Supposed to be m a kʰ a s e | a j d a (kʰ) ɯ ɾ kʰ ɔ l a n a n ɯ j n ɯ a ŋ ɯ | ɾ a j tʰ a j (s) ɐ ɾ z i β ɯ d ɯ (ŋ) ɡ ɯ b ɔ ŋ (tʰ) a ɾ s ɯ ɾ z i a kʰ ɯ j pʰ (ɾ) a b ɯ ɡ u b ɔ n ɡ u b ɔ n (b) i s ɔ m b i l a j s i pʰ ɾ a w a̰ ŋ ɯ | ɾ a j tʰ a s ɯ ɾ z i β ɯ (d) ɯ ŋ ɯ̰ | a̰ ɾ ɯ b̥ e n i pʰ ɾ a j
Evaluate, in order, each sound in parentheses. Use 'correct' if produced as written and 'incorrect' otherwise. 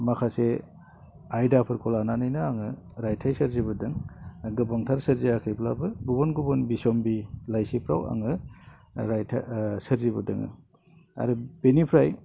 incorrect: pʰ, correct, correct, correct, incorrect: l, correct, correct

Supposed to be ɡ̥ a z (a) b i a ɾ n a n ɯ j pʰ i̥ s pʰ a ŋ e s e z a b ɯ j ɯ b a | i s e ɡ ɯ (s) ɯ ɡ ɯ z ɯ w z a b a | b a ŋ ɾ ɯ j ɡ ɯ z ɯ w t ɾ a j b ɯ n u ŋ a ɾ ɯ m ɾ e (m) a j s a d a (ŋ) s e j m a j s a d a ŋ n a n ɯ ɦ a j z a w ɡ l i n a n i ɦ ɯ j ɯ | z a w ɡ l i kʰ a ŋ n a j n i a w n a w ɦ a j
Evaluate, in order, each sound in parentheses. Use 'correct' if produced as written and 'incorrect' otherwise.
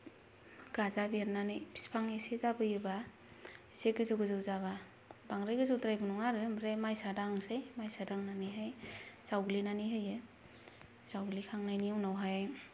correct, incorrect: z, correct, correct

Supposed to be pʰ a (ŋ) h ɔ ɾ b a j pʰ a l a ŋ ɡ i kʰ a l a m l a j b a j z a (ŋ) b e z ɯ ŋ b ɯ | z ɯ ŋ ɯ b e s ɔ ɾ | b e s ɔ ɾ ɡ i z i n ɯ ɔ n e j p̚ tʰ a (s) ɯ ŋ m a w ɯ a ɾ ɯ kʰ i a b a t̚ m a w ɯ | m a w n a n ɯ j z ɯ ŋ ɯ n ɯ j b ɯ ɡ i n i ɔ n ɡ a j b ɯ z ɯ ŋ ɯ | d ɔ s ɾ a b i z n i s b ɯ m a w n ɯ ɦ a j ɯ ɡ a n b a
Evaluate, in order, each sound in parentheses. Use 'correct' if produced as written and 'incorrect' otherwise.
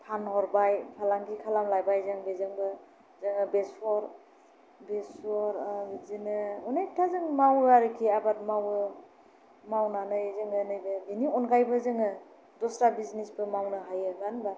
incorrect: n, correct, incorrect: z

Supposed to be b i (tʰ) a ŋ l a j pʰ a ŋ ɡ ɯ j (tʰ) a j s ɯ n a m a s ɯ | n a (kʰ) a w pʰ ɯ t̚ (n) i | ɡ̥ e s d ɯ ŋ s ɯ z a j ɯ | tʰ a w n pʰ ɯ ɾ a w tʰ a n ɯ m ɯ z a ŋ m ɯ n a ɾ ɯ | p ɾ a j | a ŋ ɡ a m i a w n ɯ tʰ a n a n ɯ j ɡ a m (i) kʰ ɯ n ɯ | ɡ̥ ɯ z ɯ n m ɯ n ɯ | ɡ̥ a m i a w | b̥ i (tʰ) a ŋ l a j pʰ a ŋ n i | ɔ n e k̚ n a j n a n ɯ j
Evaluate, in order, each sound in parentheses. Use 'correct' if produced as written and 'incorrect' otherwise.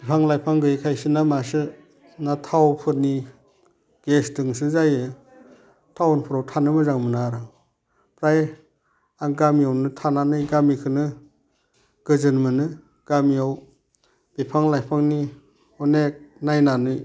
incorrect: pʰ, incorrect: kʰ, incorrect: tʰ, correct, correct, incorrect: pʰ

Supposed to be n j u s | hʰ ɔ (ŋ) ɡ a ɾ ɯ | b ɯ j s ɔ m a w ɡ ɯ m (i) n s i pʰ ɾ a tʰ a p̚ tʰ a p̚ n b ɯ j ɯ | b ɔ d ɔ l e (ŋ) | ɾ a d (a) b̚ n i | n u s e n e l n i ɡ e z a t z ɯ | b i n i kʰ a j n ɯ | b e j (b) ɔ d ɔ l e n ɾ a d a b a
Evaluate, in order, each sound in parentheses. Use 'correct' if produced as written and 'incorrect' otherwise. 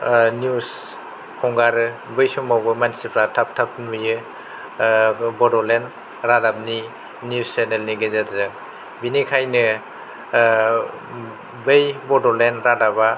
correct, incorrect: a, incorrect: n, correct, correct

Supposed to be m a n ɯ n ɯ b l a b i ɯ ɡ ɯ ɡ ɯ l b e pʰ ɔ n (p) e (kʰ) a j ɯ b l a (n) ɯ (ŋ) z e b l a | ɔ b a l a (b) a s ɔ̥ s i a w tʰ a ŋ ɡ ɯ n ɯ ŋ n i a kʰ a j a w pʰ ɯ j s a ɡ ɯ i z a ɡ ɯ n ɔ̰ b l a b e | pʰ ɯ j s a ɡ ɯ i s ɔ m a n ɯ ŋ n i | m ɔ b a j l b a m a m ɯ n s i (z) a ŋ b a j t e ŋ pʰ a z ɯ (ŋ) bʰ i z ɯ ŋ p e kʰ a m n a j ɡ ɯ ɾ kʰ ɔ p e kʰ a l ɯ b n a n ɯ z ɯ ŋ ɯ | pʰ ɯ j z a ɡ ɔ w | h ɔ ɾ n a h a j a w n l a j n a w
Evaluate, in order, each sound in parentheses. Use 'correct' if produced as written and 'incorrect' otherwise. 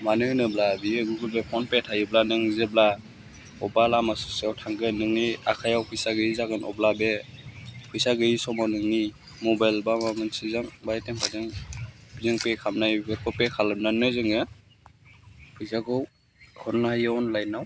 correct, incorrect: tʰ, correct, correct, incorrect: m, correct, correct

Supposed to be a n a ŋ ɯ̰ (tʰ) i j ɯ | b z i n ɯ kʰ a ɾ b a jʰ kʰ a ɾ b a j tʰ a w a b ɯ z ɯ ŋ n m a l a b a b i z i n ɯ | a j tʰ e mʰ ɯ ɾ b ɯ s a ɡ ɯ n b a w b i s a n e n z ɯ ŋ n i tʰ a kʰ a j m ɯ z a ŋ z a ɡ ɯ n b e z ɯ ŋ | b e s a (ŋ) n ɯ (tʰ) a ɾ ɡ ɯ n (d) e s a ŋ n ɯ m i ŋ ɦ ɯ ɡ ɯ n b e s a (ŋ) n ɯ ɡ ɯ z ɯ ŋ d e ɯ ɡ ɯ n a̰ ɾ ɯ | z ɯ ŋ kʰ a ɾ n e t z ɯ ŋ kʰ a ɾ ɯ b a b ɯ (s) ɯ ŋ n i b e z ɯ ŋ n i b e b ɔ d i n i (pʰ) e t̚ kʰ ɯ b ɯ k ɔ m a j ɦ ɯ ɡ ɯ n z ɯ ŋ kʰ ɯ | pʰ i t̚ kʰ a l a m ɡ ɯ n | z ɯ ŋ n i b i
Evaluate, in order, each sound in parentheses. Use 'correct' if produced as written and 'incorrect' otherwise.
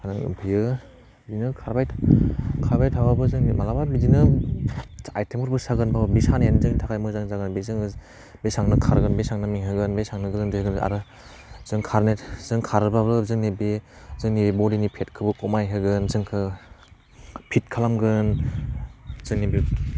incorrect: pʰ, correct, incorrect: kʰ, incorrect: b, correct, incorrect: z, correct

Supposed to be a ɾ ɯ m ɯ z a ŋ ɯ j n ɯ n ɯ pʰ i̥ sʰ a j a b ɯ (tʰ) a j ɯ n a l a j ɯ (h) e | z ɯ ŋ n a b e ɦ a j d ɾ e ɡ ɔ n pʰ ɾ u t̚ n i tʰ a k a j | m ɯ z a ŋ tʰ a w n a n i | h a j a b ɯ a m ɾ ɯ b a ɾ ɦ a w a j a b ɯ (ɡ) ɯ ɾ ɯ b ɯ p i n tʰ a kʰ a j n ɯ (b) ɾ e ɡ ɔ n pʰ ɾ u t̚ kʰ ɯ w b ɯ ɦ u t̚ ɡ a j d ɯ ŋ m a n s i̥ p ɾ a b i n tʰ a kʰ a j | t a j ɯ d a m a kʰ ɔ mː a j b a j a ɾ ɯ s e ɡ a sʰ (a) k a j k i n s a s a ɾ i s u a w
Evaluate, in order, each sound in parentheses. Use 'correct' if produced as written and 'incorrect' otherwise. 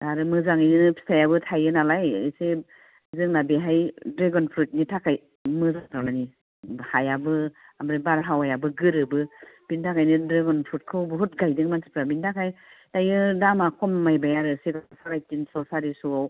correct, incorrect: s, correct, incorrect: d, correct

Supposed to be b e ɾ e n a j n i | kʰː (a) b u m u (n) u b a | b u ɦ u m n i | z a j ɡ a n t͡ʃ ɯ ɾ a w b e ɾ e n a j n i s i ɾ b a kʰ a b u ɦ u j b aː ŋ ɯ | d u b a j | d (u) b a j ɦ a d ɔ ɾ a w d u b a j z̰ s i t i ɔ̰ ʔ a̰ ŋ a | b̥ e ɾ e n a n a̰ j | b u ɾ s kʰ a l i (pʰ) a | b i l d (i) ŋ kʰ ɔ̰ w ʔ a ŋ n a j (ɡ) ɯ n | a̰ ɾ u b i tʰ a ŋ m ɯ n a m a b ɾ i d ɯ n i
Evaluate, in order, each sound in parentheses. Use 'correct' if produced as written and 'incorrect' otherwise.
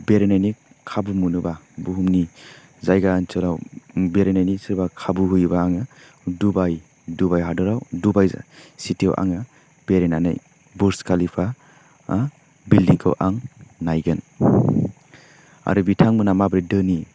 correct, correct, correct, correct, correct, correct

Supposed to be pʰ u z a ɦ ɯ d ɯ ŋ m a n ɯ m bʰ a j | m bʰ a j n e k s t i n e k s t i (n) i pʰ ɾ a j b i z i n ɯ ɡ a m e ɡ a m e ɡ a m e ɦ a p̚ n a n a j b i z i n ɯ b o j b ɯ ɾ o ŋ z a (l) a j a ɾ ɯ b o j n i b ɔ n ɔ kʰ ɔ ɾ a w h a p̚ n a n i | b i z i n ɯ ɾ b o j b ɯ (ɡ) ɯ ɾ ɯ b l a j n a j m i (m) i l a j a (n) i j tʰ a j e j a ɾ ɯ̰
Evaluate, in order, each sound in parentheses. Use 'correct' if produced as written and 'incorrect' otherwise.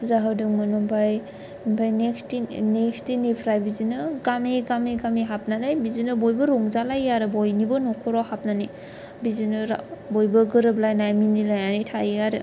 correct, correct, correct, incorrect: n, correct

